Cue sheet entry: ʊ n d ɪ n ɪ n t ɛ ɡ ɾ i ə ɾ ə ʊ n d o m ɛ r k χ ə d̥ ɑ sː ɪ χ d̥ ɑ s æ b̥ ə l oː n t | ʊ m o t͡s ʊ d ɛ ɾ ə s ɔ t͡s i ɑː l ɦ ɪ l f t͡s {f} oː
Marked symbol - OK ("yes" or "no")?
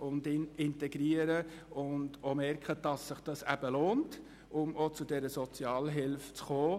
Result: no